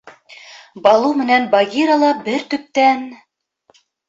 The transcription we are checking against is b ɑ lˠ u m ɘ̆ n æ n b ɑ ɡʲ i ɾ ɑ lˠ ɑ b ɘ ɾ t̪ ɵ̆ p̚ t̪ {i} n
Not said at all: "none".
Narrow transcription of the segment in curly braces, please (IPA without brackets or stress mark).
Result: æ